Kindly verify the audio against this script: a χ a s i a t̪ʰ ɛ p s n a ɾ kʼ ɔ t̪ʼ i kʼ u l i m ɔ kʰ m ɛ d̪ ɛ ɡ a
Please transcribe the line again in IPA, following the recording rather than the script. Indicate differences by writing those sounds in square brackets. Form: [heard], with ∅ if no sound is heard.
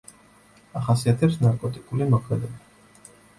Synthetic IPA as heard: a χ a s i a t̪ʰ ɛ p s n a ɾ kʼ ɔ t̪ʼ i kʼ u l i m ɔ kʰ m ɛ d̪ ɛ [b] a